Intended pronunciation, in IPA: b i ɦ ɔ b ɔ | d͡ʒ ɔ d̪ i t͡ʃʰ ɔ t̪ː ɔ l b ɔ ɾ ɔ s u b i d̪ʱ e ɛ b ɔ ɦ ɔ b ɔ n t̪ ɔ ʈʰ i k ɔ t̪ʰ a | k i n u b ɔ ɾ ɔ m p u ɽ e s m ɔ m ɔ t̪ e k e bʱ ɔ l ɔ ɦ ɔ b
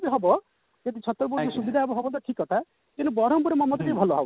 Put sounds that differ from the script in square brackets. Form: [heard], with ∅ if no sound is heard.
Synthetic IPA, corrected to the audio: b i ɦ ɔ b ɔ | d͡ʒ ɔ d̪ i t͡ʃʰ ɔ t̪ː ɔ [ɾ] b ɔ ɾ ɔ s u b i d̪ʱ [a] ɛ b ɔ ɦ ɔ b ɔ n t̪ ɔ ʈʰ i k ɔ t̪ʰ a | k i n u b ɔ ɾ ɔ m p u [ɾ] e [∅] m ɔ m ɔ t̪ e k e bʱ ɔ l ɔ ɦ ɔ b